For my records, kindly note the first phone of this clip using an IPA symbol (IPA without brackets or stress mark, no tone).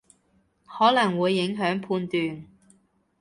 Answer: h